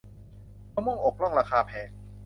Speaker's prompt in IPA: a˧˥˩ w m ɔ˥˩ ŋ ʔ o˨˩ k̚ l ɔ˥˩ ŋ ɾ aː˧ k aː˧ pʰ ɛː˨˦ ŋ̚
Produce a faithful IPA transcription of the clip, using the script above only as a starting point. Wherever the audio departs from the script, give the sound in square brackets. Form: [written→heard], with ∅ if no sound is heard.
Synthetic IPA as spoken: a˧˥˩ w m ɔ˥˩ ŋ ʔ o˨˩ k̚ l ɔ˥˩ ŋ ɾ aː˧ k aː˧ pʰ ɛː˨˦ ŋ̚